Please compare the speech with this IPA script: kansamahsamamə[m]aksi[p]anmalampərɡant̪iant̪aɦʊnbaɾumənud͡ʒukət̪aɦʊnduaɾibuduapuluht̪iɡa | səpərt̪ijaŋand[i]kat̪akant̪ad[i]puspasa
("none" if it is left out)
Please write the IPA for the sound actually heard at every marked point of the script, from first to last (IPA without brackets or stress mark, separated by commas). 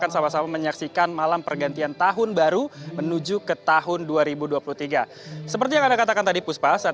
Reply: ɲ, k, a, i